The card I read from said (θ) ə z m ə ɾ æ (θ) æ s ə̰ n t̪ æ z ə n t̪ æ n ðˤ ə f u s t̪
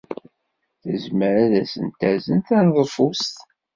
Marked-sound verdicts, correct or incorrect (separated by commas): correct, incorrect